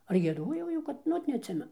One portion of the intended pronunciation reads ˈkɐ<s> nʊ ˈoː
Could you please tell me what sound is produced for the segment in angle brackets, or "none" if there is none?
t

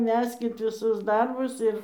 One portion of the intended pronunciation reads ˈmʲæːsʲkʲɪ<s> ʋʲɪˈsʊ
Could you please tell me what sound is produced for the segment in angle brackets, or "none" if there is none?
t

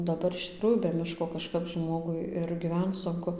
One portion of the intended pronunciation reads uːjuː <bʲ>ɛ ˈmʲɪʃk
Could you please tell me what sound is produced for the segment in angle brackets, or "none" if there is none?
bʲ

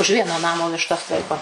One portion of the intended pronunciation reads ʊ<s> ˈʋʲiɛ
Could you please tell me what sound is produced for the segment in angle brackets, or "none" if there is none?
ʃ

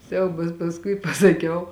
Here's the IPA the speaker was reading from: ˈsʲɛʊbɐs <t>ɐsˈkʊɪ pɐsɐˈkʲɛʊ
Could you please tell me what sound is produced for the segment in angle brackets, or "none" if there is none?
p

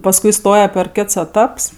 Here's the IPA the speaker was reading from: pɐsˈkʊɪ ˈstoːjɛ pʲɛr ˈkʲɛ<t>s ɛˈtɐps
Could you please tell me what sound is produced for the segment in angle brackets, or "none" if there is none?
t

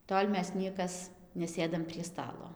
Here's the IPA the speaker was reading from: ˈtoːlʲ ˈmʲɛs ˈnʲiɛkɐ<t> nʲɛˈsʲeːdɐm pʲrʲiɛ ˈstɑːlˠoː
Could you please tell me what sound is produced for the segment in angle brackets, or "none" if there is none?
s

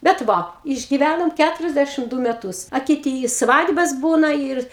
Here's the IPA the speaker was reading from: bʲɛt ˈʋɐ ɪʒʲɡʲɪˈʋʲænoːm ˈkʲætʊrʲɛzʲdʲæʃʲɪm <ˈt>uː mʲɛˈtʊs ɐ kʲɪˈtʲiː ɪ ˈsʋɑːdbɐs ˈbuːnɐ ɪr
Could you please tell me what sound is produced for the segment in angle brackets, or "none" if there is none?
d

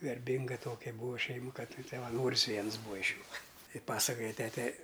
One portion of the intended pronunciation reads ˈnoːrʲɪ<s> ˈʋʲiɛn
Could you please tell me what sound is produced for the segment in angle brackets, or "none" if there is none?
s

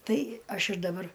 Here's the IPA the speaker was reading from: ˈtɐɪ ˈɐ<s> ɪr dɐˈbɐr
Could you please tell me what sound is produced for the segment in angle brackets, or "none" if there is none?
ʃ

